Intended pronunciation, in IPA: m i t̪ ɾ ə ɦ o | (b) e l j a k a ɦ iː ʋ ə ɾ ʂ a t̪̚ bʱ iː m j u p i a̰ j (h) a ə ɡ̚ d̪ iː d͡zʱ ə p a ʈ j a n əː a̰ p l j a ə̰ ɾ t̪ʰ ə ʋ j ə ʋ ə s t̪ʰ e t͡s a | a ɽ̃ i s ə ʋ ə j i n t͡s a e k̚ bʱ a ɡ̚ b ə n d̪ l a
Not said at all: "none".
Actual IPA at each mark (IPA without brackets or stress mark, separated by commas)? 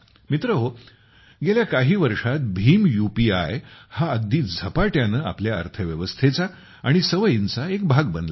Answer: ɡ, h